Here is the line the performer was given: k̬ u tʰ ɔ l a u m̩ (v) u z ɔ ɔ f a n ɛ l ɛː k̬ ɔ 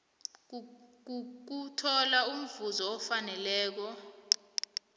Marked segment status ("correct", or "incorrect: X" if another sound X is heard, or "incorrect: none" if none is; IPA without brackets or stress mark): correct